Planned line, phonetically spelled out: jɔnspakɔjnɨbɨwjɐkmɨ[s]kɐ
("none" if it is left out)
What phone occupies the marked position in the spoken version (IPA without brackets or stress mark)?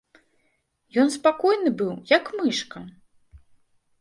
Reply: ʂ